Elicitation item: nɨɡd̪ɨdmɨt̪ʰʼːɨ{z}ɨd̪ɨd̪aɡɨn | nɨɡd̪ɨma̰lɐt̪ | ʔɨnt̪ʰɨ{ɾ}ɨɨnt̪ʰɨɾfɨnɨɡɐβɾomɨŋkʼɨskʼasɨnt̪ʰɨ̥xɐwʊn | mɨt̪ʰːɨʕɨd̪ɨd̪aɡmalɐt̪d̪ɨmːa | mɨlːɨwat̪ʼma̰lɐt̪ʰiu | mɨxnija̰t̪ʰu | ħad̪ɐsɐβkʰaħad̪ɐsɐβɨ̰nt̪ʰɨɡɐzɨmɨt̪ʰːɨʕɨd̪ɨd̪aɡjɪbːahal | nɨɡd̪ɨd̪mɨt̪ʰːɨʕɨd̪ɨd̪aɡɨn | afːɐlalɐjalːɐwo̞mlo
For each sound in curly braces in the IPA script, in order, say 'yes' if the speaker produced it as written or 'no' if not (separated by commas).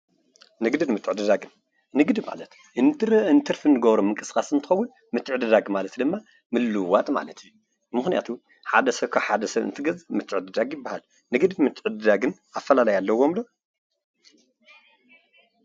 no, yes